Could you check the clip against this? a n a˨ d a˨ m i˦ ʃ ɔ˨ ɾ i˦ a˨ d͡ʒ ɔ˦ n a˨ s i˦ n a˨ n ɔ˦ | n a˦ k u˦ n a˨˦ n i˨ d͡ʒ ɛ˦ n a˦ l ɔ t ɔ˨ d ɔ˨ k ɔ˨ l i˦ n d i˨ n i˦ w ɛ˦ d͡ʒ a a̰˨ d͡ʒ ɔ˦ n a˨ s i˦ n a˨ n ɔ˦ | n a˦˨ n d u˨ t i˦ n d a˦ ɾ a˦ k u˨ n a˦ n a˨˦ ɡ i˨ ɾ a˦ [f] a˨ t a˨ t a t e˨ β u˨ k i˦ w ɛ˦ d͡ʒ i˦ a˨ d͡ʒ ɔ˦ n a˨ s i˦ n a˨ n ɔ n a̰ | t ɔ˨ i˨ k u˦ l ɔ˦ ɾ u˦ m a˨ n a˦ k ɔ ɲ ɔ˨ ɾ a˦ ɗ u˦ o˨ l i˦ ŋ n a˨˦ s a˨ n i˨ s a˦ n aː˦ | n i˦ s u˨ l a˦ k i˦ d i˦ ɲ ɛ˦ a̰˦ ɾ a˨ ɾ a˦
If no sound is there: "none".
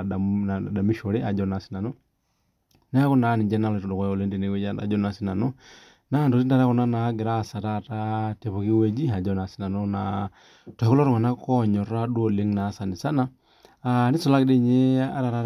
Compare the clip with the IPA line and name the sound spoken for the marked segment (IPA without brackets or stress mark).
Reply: s